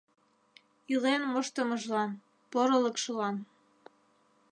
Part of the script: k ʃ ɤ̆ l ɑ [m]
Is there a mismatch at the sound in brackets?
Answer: yes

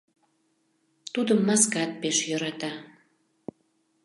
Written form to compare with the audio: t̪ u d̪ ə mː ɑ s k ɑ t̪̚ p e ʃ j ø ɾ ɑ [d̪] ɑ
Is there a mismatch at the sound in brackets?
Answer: yes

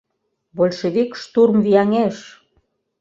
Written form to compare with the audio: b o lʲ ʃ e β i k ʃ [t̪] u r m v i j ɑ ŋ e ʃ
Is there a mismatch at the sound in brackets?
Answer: no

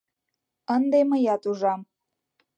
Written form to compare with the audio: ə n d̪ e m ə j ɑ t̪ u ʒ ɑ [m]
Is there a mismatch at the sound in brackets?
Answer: no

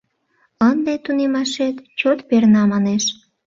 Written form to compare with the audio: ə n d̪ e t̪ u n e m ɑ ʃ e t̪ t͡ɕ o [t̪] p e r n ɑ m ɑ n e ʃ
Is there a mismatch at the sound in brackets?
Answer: no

